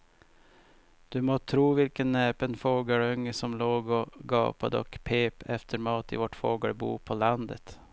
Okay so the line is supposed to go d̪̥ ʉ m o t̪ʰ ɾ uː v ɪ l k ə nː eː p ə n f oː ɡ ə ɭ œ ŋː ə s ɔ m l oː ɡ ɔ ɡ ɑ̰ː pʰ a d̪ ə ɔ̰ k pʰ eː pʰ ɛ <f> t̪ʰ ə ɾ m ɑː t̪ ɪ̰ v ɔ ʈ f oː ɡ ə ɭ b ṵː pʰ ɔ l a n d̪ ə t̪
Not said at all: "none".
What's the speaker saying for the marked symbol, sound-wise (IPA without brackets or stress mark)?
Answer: f